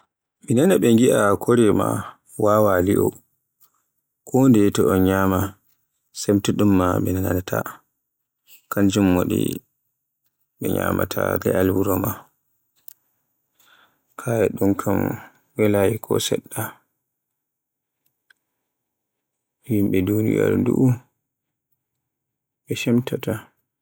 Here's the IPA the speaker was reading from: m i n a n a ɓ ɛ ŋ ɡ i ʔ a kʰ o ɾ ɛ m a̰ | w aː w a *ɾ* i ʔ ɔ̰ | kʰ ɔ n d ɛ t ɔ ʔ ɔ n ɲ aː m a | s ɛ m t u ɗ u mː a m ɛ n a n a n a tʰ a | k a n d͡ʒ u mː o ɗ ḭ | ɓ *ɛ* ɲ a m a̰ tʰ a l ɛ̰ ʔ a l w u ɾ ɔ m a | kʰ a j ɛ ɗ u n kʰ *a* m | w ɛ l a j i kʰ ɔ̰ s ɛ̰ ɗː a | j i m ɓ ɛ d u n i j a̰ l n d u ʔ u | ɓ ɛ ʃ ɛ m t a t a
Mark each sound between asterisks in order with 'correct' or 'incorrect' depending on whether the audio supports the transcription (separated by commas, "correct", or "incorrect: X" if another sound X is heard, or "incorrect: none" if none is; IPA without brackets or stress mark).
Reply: incorrect: l, correct, correct